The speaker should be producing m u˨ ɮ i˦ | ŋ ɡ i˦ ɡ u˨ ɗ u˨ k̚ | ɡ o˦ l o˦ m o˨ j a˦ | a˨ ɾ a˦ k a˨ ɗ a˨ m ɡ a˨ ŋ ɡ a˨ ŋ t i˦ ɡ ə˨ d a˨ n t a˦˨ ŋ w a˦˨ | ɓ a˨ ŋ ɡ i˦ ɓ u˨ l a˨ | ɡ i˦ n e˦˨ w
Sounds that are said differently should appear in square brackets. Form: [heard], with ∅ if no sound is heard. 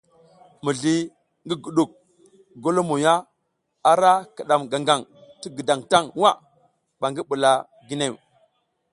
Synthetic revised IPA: m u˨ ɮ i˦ | ŋ ɡ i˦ ɡ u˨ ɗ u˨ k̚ | ɡ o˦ l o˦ m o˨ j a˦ | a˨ ɾ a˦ k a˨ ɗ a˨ m ɡ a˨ ŋ ɡ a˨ ŋ t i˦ ɡ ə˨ d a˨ [ŋ] t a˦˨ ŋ w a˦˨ | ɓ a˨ ŋ ɡ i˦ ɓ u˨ l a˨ | ɡ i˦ n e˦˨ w